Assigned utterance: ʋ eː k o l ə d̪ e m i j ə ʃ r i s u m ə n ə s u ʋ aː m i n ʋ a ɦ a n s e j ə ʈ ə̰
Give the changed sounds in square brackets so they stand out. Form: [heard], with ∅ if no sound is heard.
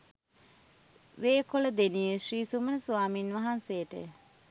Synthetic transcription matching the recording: ʋ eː k o l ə d̪ e [n] i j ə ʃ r [iː] s u m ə n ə s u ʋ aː m i n ʋ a ɦ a n s e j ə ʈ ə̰